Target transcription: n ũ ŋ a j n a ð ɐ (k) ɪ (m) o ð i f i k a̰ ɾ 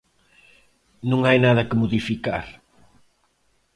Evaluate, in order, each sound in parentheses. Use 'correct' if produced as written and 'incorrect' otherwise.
correct, correct

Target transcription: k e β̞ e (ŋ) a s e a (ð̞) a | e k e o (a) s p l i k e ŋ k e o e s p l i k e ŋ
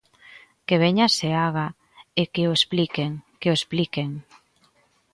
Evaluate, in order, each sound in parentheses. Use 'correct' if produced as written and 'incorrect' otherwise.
incorrect: ɲ, incorrect: ɣ̞, incorrect: e

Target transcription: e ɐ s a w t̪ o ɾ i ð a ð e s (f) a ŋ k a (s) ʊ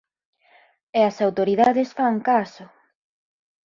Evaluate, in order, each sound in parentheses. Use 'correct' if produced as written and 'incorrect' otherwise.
correct, correct

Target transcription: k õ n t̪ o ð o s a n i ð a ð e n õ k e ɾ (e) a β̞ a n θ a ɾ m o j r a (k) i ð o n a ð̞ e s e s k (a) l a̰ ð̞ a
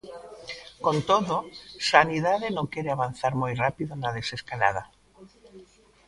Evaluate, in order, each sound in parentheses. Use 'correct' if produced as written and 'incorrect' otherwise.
correct, incorrect: p, correct

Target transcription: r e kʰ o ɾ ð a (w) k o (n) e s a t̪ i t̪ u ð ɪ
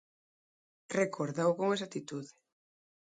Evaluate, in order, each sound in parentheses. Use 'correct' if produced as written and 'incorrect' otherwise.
correct, incorrect: ŋ

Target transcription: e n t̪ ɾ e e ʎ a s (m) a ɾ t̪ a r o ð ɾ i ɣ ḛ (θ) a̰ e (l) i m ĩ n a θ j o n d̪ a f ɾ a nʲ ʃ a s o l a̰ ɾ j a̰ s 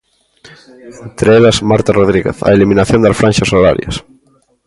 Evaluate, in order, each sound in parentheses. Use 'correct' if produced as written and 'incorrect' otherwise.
correct, correct, correct

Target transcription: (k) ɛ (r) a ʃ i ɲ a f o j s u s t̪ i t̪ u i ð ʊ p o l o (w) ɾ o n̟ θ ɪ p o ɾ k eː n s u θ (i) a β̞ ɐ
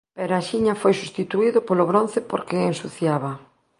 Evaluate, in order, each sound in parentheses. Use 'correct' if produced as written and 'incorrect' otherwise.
incorrect: p, incorrect: ɾ, incorrect: β, incorrect: j

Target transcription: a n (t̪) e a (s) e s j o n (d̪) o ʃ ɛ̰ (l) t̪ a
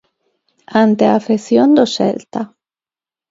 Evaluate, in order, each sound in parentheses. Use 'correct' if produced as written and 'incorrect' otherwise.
correct, incorrect: f, correct, correct

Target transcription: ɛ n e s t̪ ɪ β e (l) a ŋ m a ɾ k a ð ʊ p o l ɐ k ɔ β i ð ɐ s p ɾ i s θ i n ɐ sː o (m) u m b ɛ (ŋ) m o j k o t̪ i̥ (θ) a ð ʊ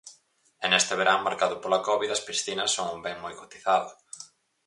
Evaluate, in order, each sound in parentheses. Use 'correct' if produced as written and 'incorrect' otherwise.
incorrect: ɾ, incorrect: ŋ, correct, correct

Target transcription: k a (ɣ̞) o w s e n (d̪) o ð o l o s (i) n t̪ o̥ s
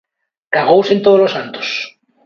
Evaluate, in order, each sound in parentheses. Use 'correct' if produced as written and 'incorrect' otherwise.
correct, incorrect: t̪, incorrect: a

